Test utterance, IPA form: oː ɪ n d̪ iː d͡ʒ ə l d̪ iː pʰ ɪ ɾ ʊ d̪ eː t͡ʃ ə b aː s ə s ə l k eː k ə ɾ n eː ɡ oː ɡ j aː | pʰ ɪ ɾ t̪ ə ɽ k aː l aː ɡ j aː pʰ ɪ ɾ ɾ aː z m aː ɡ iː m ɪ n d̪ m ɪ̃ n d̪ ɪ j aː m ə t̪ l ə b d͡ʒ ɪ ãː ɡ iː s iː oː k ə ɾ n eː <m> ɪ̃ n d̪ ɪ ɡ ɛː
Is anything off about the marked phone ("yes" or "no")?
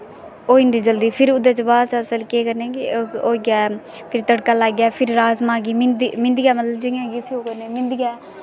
no